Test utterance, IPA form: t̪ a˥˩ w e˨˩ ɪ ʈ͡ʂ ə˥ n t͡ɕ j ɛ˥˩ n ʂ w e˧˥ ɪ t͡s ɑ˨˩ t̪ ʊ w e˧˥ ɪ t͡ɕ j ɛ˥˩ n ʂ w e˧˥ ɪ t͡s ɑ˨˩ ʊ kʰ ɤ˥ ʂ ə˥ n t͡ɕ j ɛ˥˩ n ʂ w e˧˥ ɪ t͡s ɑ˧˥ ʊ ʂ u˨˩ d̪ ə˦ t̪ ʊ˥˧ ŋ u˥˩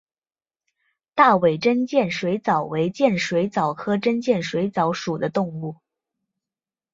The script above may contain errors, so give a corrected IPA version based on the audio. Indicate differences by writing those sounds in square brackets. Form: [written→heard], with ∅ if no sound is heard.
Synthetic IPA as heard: t̪ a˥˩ w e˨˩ ɪ ʈ͡ʂ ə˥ n t͡ɕ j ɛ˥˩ n ʂ w e˧˥ ɪ t͡s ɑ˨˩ [t̪→∅] ʊ w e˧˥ ɪ t͡ɕ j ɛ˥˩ n ʂ w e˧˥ ɪ t͡s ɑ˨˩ ʊ kʰ ɤ˥ [ʂ→ʈ͡ʂ] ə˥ n t͡ɕ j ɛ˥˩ n ʂ w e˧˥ ɪ t͡s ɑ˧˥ ʊ ʂ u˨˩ d̪ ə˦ t̪ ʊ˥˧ ŋ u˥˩